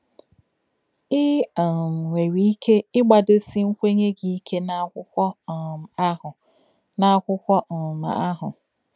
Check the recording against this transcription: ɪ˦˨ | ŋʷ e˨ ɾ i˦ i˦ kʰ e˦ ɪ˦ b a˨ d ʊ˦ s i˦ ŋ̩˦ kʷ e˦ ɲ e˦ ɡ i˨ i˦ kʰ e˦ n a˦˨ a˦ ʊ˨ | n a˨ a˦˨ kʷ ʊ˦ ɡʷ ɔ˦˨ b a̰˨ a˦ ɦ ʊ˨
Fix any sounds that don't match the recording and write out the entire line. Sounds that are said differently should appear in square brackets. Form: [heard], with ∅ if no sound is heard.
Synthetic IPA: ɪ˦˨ | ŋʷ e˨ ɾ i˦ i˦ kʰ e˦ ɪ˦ [ɡ͡b] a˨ d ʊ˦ s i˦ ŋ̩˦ kʷ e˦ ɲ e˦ ɡ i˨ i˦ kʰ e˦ n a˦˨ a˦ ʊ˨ | n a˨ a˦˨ kʷ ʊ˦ [kʷ] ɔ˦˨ [m] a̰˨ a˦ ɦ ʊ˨